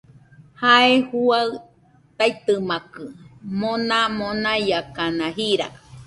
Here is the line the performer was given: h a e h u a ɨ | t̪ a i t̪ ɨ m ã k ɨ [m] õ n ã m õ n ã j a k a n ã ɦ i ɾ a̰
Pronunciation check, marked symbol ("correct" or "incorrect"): correct